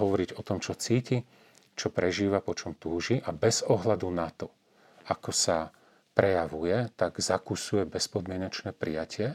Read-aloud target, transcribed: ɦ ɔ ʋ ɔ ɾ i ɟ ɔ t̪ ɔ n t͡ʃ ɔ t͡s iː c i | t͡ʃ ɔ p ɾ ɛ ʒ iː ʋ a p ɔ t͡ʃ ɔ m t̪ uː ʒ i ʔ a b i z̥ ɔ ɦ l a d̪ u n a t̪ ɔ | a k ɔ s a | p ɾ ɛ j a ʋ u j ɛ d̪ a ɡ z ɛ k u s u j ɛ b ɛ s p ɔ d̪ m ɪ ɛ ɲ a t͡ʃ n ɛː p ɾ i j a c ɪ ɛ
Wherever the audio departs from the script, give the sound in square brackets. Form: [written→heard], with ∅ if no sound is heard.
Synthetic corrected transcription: ɦ ɔ ʋ ɔ ɾ i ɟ ɔ t̪ ɔ [n→m] t͡ʃ ɔ t͡s iː c i | t͡ʃ ɔ p ɾ ɛ ʒ iː ʋ a p ɔ t͡ʃ ɔ m t̪ uː ʒ i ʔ a b [i→ɛ] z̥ ɔ ɦ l a d̪ u n a t̪ ɔ | a k ɔ s a | p ɾ ɛ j a ʋ u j ɛ [d̪→t̪] a ɡ z [ɛ→a] k u s u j ɛ b ɛ s p ɔ d̪ m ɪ ɛ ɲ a t͡ʃ n ɛː p ɾ i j a c ɪ ɛ